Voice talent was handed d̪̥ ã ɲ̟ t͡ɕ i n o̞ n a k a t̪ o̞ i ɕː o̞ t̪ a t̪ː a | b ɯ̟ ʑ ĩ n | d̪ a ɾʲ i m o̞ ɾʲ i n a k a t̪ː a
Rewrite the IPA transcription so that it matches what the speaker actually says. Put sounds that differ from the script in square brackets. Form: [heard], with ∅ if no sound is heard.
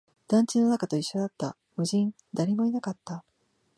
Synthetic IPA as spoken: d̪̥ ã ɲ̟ t͡ɕ i n o̞ n a k a t̪ o̞ i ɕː o̞ [d̪] a t̪ː a | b ɯ̟ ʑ ĩ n | d̪ a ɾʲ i m o̞ [∅] i n a k a t̪ː a